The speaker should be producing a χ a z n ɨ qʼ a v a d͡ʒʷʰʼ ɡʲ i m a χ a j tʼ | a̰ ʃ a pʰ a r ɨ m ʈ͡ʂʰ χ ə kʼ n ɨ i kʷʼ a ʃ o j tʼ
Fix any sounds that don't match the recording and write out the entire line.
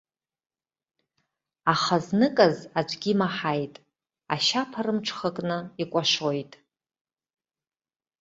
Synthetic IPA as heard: a χ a z n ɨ kʼ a z a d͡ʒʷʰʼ ɡʲ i m a ħ a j tʼ | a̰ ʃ a pʰ a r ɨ m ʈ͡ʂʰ χ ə kʼ n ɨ i kʷʼ a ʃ o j tʼ